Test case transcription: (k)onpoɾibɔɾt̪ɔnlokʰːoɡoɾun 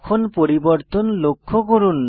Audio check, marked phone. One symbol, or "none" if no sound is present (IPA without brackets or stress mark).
kʰ